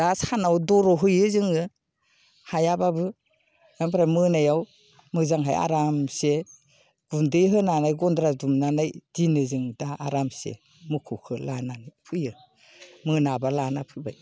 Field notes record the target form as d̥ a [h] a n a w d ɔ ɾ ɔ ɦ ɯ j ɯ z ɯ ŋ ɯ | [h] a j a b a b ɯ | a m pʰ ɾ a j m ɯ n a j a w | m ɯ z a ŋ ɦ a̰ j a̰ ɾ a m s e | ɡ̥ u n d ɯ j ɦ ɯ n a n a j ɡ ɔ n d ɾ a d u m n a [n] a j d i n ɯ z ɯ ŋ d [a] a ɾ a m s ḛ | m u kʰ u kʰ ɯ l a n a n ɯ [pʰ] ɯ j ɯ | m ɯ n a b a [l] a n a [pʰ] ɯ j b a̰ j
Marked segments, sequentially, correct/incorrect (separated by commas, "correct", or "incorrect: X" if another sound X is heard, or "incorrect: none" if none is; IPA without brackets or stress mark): incorrect: s, correct, correct, correct, correct, correct, correct